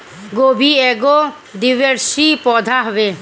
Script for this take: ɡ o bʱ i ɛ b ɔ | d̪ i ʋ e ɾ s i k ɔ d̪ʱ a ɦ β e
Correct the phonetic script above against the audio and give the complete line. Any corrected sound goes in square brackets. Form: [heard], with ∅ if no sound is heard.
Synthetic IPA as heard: ɡ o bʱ i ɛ [ɡ] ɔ | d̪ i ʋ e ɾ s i [p] ɔ d̪ʱ a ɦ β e